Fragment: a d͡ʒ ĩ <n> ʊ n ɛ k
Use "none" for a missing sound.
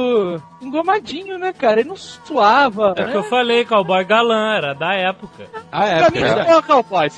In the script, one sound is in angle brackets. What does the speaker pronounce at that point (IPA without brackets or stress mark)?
ɲ